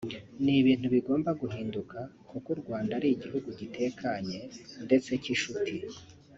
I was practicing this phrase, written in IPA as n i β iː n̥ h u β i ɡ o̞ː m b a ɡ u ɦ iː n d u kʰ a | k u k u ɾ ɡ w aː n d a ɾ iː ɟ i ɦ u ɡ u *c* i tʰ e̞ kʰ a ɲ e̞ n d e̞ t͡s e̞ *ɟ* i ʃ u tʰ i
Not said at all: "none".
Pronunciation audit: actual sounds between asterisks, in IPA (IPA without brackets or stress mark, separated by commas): ɟ, c